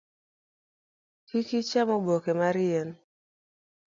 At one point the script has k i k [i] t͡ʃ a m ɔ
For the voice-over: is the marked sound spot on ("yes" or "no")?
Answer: yes